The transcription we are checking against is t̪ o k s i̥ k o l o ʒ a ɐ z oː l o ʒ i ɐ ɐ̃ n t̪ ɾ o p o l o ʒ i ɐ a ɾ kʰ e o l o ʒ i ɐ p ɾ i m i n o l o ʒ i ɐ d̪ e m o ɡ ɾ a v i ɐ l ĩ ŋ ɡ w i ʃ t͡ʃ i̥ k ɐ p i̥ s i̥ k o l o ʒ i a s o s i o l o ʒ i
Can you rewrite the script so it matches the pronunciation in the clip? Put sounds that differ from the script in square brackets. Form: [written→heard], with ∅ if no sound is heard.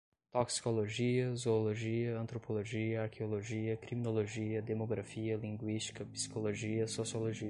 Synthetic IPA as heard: t̪ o k s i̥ k o l o ʒ [a→i] ɐ z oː l o ʒ i ɐ ɐ̃ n t̪ ɾ o p o l o ʒ i ɐ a ɾ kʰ e o l o ʒ i ɐ [p→k] ɾ i m i n o l o ʒ i ɐ d̪ e m o ɡ ɾ a [v→f] i ɐ l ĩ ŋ ɡ w i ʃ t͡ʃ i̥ k ɐ p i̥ s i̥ k o l o ʒ i [a→ɐ] s o s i o l o ʒ i